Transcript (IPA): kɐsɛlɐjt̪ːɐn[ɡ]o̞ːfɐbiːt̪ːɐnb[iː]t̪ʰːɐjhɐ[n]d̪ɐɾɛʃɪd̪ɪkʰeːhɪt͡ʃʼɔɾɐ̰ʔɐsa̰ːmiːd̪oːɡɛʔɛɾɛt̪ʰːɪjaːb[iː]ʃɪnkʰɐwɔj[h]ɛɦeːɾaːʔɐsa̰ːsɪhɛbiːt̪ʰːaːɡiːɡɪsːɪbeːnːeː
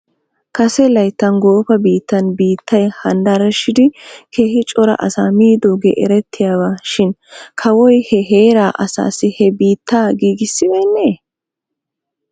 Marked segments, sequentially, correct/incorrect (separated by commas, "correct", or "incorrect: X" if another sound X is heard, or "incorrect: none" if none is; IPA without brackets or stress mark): correct, correct, correct, incorrect: aː, correct